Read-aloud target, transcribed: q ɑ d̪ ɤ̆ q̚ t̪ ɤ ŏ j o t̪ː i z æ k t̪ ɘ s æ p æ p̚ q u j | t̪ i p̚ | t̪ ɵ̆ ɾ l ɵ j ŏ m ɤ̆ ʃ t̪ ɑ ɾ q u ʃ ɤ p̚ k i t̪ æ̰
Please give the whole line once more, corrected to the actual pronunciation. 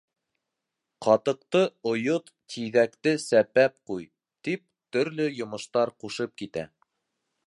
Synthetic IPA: q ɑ t̪ ɤ̆ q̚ t̪ ɤ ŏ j o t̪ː i ð æ k t̪ ɘ s æ p æ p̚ q u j | t̪ i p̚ | t̪ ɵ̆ ɾ l ɵ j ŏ m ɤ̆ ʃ t̪ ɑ ɾ q u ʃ ɤ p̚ k i t̪ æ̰

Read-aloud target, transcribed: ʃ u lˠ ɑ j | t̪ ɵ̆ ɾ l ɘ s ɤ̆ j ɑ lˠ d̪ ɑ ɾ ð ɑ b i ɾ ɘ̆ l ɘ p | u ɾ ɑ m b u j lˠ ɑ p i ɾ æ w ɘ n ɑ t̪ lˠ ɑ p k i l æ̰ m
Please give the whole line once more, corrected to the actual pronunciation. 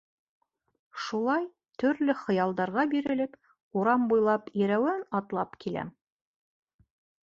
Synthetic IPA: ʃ u lˠ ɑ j | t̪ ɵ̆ ɾ l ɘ χ ɤ̆ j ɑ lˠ d̪ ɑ ɾ ʁ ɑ b i ɾ ɘ̆ l ɘ p | u ɾ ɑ m b u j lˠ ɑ p i ɾ æ w ɘ n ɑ t̪ lˠ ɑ p k i l æ̰ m

